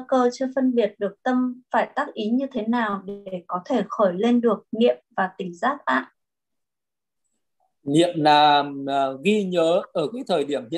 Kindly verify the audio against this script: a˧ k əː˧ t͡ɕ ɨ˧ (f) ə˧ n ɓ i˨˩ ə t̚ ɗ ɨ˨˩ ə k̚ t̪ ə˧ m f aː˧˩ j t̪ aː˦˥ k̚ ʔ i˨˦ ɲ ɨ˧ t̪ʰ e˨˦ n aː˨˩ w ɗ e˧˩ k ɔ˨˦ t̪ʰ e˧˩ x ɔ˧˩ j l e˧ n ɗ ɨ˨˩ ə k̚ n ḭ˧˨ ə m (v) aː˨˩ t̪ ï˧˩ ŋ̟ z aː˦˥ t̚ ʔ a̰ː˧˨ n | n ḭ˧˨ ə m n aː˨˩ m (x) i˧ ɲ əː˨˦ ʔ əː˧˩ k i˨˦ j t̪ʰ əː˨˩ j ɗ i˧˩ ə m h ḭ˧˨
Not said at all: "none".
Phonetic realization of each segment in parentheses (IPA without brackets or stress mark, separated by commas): f, v, ɣ